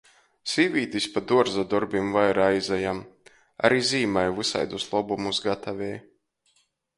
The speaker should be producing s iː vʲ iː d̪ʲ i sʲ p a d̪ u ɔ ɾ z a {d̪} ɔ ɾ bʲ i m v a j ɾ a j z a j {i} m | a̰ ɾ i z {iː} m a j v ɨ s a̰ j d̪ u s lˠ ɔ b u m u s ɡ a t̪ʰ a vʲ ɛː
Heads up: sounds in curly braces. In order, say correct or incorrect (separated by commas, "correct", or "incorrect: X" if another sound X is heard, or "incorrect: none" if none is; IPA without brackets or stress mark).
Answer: correct, incorrect: a, correct